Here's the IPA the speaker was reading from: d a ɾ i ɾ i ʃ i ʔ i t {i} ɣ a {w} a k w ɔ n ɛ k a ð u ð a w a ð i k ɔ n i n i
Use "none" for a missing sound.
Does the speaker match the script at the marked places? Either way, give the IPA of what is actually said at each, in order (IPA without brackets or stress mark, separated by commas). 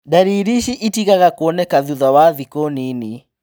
i, ɣ